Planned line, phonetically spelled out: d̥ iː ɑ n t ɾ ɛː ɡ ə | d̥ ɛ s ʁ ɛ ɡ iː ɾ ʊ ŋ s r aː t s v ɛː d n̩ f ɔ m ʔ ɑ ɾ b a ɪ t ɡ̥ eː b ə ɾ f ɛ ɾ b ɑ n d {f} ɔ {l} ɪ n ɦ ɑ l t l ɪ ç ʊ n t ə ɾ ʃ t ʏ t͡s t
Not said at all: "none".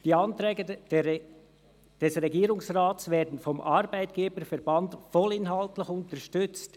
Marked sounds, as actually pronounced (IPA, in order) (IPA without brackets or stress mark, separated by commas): f, l